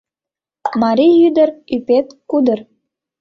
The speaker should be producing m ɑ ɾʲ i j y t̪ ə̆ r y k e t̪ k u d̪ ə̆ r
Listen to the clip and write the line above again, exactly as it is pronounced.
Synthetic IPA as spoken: m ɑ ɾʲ i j y d̪ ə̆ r y p e t̪ k u d̪ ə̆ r